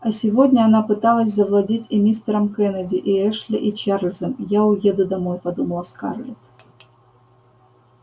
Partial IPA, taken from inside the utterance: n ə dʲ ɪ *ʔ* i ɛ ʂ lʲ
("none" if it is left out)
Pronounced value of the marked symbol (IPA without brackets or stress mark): ʔ